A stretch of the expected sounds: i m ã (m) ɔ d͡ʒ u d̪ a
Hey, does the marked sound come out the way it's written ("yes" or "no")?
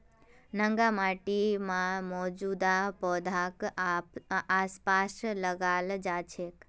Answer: yes